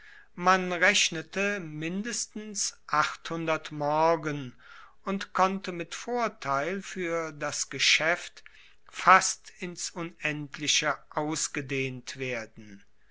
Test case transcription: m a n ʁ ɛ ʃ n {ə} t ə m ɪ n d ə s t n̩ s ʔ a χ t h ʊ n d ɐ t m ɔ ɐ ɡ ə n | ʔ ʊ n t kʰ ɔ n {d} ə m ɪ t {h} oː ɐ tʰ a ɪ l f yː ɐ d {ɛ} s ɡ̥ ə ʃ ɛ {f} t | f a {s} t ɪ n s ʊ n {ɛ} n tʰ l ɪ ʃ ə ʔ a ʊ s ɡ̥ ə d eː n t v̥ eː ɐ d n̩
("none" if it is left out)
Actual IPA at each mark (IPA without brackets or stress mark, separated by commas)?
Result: ə, t, f, a, f, s, ɛ